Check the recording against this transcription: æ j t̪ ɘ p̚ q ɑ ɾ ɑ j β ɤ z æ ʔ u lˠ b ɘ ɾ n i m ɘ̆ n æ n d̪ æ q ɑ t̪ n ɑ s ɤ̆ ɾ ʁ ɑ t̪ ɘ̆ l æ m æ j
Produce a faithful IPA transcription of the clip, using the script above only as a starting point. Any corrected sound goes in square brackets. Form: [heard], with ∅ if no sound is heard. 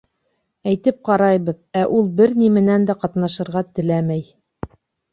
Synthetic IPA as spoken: æ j t̪ ɘ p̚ q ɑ ɾ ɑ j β ɤ [ð] æ ʔ u lˠ b ɘ ɾ n i m ɘ̆ n æ n d̪ æ q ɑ t̪ n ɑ [ʃ] ɤ̆ ɾ ʁ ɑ t̪ ɘ̆ l æ m æ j